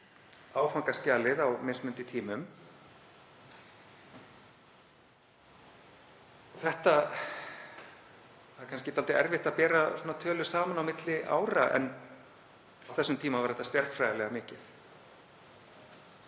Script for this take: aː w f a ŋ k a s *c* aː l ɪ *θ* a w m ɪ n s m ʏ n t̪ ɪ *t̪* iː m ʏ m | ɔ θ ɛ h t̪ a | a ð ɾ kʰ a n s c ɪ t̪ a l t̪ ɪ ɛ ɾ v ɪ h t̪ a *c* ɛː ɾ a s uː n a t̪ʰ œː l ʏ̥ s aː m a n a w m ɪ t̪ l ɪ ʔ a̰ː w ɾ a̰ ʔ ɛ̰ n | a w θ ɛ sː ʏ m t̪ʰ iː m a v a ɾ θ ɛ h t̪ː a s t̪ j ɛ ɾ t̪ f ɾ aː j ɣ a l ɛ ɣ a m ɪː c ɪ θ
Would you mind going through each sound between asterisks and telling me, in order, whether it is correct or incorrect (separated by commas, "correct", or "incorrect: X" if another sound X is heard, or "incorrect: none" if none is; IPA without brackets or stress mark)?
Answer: correct, incorrect: ð, incorrect: t̪ʰ, incorrect: p